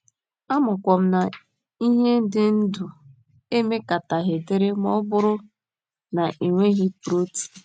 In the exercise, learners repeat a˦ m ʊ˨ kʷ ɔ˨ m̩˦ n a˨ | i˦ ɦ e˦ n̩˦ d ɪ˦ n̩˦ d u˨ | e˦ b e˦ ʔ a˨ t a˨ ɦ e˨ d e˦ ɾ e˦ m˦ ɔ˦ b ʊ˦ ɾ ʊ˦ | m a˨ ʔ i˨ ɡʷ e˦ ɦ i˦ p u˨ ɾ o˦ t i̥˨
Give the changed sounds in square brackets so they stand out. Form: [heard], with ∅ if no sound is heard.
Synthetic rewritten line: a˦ m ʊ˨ kʷ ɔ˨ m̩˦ n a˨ | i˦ ɦ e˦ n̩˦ d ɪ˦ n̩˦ d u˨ | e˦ [m] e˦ [k] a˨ t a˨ ɦ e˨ d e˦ ɾ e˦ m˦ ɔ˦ b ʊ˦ ɾ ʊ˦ | [n] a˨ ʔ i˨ [ŋʷ] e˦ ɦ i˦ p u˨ ɾ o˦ t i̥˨

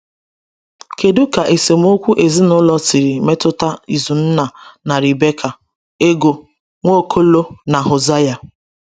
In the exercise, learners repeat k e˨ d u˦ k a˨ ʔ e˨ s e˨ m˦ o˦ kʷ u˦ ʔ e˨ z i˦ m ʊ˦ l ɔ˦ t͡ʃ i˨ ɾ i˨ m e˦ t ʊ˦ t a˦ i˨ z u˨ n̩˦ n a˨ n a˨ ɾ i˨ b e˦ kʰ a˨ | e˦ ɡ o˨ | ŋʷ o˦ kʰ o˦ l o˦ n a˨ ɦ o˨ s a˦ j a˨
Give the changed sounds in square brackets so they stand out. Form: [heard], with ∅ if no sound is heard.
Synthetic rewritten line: k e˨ d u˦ k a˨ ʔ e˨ s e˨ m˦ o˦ kʷ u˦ ʔ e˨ z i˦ [n] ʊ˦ l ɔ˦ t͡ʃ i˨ ɾ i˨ m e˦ t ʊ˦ t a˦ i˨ z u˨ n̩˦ n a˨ n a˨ ɾ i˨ b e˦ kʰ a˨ | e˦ ɡ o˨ | ŋʷ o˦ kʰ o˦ l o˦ n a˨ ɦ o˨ [z] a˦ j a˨

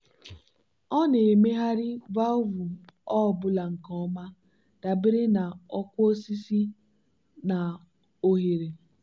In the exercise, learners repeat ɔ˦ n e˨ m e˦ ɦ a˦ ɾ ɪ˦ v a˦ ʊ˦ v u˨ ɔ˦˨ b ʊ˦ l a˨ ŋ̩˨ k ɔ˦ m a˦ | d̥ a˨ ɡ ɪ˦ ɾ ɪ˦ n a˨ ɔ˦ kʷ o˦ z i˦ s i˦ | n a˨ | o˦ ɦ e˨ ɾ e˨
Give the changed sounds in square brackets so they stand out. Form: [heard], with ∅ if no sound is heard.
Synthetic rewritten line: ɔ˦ n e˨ m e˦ ɦ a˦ ɾ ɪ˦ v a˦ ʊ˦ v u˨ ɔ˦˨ b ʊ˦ l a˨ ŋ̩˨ k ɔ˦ m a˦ | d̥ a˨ [b] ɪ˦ ɾ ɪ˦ n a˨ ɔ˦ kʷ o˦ [s] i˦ s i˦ | n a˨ | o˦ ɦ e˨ ɾ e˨

